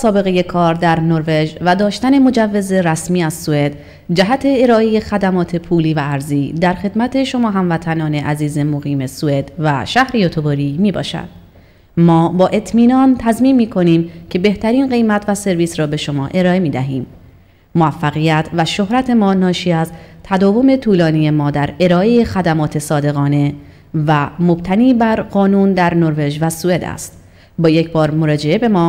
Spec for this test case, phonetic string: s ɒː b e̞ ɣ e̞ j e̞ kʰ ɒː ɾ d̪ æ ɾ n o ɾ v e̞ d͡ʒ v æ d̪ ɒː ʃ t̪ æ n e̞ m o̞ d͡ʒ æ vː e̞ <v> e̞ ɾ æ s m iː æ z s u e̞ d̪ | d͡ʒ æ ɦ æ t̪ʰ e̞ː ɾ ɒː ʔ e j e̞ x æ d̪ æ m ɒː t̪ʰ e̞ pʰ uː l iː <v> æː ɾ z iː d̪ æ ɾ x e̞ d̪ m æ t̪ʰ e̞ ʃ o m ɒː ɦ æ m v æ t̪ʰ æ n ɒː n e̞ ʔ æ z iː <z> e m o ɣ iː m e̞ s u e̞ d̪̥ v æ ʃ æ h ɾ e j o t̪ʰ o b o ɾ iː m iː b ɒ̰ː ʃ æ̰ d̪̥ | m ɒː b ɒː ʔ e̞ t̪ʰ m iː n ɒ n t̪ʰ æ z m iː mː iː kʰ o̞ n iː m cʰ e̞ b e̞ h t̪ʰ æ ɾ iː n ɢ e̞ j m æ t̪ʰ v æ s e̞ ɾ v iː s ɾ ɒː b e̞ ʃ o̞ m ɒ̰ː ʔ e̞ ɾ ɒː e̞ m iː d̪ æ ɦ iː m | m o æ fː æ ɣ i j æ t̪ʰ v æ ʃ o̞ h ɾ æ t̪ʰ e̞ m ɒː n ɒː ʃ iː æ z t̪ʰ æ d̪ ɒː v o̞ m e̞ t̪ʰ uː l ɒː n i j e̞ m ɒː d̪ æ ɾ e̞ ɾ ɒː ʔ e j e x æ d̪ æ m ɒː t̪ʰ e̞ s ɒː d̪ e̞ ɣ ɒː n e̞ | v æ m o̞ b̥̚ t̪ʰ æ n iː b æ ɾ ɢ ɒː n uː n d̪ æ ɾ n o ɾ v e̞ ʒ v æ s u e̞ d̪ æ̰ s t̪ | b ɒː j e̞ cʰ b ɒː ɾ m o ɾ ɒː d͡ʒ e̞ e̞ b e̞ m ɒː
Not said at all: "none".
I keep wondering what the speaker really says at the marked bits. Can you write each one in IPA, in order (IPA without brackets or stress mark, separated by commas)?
z, v, z